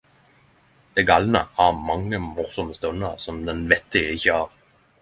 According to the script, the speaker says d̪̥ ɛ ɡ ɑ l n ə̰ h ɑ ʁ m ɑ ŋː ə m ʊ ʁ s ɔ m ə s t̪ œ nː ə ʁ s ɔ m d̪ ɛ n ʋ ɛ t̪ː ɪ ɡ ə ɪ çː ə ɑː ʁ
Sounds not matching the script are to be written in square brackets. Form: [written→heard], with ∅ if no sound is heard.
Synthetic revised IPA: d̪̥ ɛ ɡ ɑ l n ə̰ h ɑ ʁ m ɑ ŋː ə m ʊ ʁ s ɔ m ə s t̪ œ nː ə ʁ s ɔ m d̪ ɛ n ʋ ɛ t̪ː ɪ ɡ ə ɪ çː ə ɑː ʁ